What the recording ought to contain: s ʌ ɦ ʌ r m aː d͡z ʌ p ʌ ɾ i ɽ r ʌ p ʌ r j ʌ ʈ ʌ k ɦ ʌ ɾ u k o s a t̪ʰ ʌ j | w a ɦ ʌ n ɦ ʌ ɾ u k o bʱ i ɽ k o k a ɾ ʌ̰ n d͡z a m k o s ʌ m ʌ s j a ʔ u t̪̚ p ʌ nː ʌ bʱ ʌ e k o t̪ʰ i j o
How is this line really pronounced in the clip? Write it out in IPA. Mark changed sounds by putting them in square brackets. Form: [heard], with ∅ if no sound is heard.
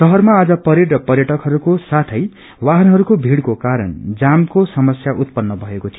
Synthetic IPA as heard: s ʌ ɦ ʌ r m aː d͡z ʌ p ʌ ɾ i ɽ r ʌ p ʌ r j ʌ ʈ ʌ k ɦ ʌ ɾ u k o s a t̪ʰ ʌ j | w a ɦ ʌ n ɦ ʌ ɾ u k o bʱ i ɽ k o k a ɾ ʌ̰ n d͡z a m k o s ʌ m ʌ s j a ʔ u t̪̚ p ʌ nː ʌ bʱ ʌ e k o t̪ʰ i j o